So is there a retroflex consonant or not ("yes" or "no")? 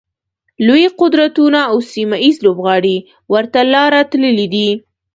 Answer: yes